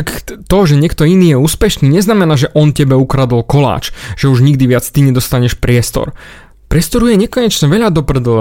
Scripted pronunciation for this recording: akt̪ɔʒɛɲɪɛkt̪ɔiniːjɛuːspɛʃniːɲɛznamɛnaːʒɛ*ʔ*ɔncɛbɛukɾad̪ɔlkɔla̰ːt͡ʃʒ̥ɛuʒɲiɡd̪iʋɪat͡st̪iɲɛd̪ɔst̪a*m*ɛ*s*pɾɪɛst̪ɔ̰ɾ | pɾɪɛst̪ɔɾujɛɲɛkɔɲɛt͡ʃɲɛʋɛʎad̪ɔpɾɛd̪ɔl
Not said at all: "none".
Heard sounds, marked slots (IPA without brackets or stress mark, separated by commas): ʔ, ɲ, ʃ